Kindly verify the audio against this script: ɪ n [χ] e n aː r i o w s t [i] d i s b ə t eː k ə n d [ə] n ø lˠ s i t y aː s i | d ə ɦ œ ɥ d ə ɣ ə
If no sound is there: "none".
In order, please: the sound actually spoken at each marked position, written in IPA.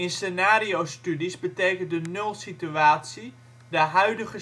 s, y, ə

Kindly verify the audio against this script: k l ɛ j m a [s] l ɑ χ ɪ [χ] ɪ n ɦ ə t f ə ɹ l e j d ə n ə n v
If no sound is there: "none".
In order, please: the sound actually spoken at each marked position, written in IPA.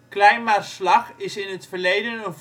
s, s

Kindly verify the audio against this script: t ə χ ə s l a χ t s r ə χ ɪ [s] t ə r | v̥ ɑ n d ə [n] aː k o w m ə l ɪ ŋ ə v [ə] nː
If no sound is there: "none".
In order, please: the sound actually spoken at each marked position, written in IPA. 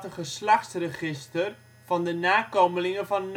s, n, ɑ

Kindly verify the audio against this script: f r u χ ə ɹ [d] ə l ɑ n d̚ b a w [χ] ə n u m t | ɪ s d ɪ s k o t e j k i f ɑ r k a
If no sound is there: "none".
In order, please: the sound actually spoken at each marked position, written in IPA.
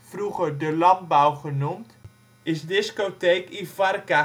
d, χ

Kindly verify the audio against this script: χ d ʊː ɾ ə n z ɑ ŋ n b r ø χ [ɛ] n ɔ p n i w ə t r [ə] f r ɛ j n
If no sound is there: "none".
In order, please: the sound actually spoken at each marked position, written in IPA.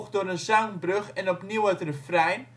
ɛ, ə

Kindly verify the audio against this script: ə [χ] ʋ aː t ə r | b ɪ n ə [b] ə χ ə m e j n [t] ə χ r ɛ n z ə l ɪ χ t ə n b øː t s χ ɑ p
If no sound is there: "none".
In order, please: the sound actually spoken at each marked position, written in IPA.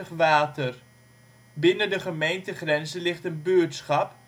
χ, d, t

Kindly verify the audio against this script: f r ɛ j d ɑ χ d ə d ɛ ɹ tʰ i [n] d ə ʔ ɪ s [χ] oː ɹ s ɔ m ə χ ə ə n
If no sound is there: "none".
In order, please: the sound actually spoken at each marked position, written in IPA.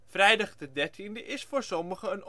n, f

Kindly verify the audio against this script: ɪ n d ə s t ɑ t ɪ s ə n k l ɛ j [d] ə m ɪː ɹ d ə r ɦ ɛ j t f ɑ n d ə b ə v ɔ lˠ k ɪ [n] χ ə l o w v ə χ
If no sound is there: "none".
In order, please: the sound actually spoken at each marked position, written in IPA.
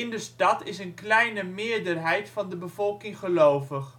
n, ŋ

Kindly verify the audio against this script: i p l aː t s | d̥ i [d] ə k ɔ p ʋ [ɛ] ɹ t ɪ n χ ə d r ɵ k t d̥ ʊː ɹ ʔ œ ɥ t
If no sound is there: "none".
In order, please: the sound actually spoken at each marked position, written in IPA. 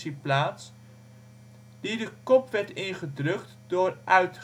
d, ɛ

